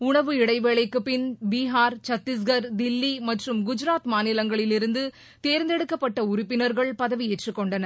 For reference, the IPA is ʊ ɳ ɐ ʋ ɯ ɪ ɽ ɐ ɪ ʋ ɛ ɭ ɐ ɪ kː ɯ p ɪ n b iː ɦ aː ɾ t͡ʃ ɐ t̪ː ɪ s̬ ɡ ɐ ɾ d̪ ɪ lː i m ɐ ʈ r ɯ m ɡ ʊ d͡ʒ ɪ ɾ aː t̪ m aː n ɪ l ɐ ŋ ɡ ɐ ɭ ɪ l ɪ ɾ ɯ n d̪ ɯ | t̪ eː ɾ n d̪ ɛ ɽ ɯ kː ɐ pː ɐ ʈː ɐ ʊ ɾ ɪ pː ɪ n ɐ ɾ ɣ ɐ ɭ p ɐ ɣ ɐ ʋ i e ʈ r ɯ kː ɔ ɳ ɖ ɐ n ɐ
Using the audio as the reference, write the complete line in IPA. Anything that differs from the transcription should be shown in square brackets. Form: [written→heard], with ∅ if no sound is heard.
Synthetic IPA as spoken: ʊ ɳ ɐ ʋ ɯ ɪ ɽ ɐ ɪ ʋ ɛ ɭ ɐ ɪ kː ɯ p ɪ n b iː ɦ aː ɾ t͡ʃ ɐ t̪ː ɪ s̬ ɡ ɐ ɾ d̪ ɪ lː i m ɐ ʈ r ɯ m ɡ ʊ d͡ʒ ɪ ɾ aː t̪ m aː n ɪ l ɐ ŋ ɡ ɐ ɭ ɪ l ɪ ɾ ɯ n d̪ ɯ | t̪ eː ɾ n d̪ ɛ ɽ ɯ kː ɐ pː ɐ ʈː ɐ ʊ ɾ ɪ pː ɪ n ɐ ɾ ɣ ɐ ɭ p ɐ [ɣ→ð] ɐ ʋ i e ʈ r ɯ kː ɔ ɳ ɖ ɐ n ɐ